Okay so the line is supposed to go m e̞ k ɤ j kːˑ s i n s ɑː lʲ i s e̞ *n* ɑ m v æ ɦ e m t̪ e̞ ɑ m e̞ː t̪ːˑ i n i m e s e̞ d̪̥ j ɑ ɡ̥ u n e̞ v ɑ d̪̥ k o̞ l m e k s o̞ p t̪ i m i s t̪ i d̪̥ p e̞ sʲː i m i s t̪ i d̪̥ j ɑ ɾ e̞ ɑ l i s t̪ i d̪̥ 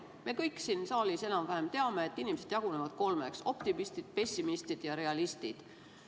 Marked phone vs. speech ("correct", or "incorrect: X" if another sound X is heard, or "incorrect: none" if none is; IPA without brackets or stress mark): correct